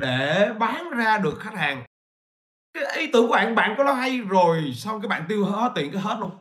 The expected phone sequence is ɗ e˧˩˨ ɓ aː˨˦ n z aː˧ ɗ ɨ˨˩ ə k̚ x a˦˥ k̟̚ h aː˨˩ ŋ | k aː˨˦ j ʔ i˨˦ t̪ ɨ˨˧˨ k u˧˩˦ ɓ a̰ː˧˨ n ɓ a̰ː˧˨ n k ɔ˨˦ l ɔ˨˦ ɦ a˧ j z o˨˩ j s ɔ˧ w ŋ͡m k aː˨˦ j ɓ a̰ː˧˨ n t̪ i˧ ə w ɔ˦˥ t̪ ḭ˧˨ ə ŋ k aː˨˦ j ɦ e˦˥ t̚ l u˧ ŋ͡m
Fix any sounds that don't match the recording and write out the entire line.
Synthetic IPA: ɗ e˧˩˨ ɓ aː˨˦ n z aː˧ ɗ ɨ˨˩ ə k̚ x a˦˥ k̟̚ h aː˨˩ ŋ | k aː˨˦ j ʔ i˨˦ t̪ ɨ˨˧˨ k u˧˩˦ ɓ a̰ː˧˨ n ɓ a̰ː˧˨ n k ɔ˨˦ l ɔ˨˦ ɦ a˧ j z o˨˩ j s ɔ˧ w ŋ͡m k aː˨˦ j ɓ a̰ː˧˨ n t̪ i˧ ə w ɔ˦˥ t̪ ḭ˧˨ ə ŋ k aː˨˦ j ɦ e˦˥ t̚ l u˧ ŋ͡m